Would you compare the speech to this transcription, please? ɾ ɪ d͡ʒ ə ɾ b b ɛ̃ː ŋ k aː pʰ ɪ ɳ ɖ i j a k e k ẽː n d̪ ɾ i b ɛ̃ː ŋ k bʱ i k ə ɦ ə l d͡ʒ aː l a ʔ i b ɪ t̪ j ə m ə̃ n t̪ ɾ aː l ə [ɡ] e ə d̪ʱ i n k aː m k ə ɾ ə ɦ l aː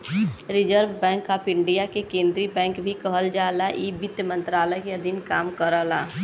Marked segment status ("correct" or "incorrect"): incorrect